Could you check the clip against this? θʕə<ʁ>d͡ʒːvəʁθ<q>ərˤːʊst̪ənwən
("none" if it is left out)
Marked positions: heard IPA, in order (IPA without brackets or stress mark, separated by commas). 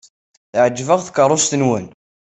none, k